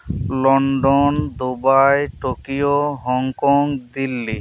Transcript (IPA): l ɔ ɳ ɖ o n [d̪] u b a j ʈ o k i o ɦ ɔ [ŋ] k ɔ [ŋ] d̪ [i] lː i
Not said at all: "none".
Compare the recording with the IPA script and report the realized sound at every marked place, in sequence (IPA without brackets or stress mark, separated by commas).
d̪, ŋ, ŋ, i